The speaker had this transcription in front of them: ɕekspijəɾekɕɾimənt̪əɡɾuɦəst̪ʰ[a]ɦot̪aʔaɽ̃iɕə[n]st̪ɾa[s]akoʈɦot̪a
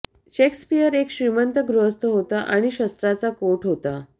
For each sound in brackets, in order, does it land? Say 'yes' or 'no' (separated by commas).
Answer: no, no, no